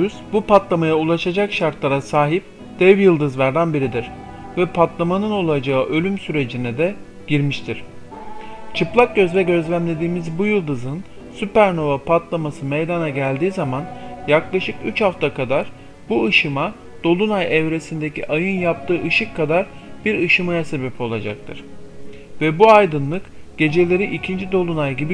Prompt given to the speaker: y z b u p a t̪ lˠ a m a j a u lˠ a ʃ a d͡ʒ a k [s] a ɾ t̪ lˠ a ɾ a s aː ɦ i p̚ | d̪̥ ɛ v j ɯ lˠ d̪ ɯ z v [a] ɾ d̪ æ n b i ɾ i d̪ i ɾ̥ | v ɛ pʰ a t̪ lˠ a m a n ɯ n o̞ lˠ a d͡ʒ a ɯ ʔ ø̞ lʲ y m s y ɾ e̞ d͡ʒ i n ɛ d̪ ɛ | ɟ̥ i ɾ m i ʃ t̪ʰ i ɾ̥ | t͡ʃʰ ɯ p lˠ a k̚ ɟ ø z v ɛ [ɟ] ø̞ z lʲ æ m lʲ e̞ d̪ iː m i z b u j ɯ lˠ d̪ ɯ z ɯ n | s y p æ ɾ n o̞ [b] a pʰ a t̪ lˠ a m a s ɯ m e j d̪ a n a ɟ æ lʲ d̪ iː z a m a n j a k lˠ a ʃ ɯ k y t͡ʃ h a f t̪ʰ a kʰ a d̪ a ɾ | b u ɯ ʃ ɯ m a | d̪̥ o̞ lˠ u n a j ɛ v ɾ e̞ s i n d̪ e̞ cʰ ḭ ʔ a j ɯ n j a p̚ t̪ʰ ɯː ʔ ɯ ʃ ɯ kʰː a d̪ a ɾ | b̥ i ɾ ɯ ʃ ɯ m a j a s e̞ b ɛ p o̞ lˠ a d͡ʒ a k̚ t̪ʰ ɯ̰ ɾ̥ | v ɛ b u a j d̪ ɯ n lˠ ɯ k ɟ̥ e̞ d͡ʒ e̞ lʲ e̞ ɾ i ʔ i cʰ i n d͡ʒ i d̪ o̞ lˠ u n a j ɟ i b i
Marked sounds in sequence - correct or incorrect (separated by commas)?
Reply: incorrect, incorrect, correct, incorrect